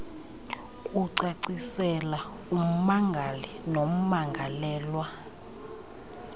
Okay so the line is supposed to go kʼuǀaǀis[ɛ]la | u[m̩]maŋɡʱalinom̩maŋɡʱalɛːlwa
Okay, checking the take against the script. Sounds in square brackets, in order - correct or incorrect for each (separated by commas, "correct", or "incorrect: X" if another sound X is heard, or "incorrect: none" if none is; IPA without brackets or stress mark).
correct, correct